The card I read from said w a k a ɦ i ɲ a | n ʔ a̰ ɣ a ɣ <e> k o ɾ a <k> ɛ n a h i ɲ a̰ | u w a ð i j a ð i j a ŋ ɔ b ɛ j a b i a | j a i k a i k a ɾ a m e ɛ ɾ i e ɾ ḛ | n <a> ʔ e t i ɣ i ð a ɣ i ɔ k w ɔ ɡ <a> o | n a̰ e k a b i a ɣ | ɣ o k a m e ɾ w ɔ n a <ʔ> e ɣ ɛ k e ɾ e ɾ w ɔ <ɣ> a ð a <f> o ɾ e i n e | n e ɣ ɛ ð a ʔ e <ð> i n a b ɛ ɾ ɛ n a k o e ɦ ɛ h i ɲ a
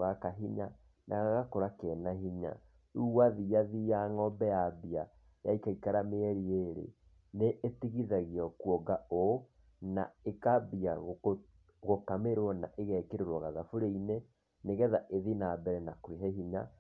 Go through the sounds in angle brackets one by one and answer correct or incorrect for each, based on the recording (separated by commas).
incorrect, correct, incorrect, correct, correct, correct, correct, correct